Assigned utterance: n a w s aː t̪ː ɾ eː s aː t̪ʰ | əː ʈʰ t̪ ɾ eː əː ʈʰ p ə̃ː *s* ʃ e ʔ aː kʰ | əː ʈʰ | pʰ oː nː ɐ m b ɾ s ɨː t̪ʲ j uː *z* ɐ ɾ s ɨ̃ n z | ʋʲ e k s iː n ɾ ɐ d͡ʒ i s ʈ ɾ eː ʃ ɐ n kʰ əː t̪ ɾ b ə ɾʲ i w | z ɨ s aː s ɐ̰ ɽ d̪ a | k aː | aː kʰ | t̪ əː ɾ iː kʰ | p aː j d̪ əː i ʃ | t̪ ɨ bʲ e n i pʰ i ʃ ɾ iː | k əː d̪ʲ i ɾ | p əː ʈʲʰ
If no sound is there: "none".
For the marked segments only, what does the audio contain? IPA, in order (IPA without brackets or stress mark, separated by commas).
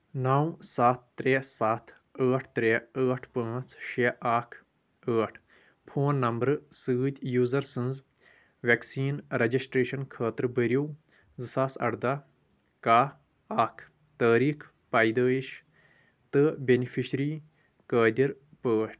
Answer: t͡s, z